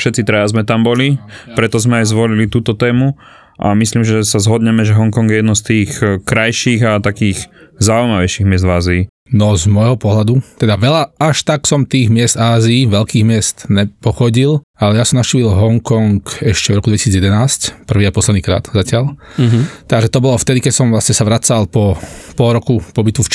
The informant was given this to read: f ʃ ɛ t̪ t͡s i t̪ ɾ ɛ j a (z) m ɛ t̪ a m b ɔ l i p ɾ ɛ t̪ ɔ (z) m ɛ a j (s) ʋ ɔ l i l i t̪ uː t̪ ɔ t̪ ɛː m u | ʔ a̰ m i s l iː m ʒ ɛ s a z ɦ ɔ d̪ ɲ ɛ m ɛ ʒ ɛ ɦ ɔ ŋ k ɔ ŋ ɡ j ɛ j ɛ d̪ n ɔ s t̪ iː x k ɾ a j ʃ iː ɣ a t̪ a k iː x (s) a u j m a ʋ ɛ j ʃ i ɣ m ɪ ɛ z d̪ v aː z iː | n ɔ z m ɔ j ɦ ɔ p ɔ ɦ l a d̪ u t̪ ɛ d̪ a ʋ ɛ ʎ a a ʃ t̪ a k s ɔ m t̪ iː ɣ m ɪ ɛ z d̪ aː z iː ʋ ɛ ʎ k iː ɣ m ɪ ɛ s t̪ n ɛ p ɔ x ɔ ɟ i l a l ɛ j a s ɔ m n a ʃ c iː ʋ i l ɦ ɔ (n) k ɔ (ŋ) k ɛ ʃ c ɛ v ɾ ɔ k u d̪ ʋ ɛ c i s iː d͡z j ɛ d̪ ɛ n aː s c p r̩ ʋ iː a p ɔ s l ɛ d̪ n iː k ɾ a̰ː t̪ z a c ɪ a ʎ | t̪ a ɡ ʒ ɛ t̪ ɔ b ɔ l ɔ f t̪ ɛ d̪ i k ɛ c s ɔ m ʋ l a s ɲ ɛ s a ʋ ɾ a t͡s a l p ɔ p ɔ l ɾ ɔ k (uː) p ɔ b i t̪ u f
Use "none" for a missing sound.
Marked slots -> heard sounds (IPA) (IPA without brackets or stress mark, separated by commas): z, z, z, z, ŋ, ŋ, u